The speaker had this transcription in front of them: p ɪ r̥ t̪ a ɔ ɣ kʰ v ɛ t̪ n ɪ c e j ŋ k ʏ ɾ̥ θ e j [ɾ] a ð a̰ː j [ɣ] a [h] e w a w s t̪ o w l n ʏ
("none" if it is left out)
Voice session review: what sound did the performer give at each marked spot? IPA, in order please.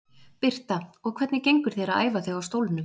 ɾ, v, θ

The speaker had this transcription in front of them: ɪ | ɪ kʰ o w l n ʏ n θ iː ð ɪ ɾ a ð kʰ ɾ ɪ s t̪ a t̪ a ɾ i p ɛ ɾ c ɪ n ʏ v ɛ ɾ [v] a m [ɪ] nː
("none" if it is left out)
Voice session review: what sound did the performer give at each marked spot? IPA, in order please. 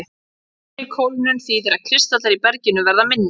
ð, ɪ

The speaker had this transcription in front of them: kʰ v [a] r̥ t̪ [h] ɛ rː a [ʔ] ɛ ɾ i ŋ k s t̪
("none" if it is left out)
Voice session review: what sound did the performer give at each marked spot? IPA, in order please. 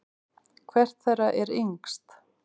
ɛ, θ, ʔ

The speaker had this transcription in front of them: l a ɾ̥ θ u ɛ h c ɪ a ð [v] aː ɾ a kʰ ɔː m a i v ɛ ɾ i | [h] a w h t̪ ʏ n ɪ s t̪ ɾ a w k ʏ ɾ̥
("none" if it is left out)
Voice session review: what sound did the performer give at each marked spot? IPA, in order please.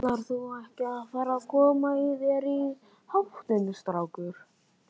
f, h

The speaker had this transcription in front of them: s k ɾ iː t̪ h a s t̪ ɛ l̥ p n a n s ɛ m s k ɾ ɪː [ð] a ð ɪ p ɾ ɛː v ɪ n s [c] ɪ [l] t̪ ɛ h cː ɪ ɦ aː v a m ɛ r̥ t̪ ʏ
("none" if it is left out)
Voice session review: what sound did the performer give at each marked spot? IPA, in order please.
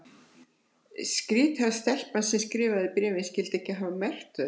v, c, l

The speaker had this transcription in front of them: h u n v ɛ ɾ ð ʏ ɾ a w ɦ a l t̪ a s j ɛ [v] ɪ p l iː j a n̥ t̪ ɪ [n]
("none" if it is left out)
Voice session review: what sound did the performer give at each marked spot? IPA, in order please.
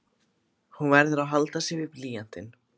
v, n

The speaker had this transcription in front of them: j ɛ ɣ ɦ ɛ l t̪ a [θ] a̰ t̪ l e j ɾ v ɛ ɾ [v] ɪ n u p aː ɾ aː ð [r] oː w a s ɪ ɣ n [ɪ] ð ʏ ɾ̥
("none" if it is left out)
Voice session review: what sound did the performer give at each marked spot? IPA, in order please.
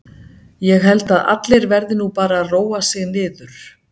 ð, ð, r, ɪː

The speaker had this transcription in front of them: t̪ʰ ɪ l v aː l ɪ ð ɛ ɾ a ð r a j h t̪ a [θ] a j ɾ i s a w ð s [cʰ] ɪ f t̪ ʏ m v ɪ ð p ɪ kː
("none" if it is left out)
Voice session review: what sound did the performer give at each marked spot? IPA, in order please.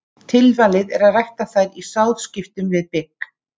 θ, c

